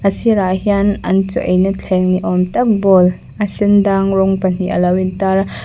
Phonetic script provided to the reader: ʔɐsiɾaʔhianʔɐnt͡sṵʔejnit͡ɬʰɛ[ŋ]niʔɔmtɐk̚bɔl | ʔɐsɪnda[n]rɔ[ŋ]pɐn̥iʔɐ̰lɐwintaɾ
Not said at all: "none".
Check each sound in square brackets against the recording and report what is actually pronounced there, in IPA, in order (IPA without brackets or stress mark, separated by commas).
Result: ŋ, ŋ, ŋ